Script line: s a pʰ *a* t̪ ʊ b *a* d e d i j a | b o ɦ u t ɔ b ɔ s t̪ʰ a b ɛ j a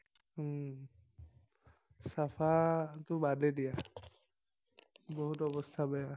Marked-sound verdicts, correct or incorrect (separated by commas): correct, correct